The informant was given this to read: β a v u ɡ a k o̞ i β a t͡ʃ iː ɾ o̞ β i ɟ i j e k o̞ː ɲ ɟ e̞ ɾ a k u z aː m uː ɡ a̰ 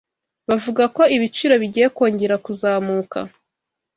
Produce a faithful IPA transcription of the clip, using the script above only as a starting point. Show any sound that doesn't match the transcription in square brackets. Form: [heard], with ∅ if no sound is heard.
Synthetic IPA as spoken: β a v u ɡ a k o̞ i β [i] t͡ʃ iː ɾ o̞ β i ɟ i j e k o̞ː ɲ ɟ e̞ ɾ a k u z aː m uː [k] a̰